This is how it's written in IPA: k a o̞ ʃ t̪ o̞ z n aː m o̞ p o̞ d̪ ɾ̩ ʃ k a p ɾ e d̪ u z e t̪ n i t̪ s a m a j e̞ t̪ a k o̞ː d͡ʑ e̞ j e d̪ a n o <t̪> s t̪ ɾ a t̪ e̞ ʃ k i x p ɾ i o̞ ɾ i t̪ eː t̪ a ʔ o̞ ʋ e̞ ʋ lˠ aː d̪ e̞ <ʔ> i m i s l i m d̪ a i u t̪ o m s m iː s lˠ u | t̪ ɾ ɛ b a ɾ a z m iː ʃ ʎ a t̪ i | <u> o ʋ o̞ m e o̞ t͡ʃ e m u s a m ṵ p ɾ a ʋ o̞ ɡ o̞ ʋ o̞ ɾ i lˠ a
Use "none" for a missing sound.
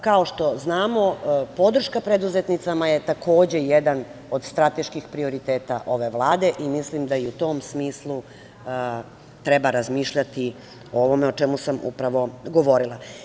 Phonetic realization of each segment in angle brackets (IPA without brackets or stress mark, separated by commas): d̪, ʔ, o